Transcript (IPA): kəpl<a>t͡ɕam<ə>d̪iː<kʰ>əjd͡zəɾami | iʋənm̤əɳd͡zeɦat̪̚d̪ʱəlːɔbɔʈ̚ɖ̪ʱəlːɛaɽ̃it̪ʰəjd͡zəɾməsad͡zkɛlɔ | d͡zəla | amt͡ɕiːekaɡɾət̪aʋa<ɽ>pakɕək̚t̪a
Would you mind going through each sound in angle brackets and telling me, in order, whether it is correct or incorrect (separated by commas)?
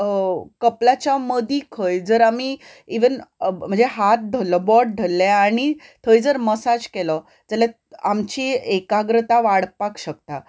correct, correct, correct, correct